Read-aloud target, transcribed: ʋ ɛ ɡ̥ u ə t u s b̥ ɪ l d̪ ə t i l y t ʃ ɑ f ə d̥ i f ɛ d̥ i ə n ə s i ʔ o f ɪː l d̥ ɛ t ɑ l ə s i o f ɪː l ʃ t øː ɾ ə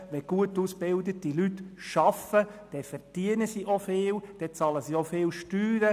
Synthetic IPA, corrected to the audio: ʋ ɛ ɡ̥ u ə t u s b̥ ɪ l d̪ ə t i l y t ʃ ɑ f ə d̥ ɛ f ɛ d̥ i ə n ə s i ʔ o f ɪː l d̥ ɛ t͡s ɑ l ə s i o f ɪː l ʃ t yː ɾ ə